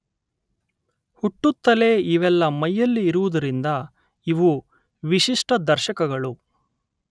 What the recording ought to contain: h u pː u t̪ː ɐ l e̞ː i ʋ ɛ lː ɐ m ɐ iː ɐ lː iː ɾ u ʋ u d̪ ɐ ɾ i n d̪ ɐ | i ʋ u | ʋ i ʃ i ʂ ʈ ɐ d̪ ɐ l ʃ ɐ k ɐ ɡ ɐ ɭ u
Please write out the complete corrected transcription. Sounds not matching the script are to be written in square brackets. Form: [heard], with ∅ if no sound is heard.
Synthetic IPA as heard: h u [ʈː] u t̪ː ɐ l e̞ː i ʋ ɛ lː ɐ m ɐ [jː] ɐ lː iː ɾ u ʋ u d̪ ɐ ɾ i n d̪ ɐ | i ʋ u | ʋ i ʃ i ʂ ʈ ɐ d̪ ɐ [ɾ] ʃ ɐ k ɐ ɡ ɐ ɭ u